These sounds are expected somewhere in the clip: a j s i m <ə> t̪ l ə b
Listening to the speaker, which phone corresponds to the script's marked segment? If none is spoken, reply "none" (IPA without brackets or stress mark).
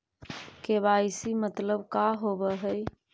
ə